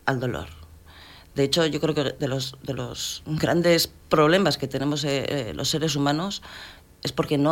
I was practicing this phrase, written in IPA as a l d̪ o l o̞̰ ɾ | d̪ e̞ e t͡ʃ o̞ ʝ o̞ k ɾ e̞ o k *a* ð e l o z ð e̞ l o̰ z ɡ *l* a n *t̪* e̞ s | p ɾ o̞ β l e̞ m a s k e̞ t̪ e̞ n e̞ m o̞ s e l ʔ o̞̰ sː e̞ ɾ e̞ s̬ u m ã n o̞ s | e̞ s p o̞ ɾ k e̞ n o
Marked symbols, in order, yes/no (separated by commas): no, no, no